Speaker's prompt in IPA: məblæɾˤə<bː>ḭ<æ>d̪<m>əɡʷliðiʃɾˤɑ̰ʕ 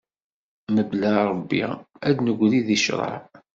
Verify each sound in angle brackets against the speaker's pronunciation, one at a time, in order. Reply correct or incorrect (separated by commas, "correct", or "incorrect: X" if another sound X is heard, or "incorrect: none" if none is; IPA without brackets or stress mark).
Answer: correct, correct, incorrect: n